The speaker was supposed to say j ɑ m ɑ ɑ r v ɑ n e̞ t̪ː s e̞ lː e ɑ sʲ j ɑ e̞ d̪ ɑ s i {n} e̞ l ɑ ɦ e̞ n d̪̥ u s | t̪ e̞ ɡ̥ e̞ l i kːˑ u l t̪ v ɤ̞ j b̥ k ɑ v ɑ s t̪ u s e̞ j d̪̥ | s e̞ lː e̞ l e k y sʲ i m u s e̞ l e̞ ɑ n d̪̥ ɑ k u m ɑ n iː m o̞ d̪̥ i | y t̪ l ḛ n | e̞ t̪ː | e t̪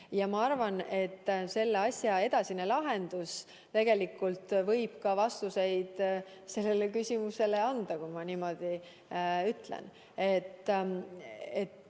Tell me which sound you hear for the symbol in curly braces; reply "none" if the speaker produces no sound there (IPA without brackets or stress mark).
n